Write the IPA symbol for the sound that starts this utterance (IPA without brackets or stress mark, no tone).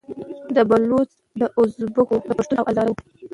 d̪